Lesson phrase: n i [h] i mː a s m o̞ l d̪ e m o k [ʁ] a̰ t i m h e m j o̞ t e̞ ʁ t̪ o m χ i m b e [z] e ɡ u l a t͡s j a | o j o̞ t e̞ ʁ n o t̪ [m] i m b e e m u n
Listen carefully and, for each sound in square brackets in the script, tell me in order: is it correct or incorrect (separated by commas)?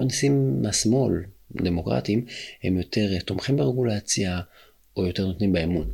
incorrect, correct, incorrect, incorrect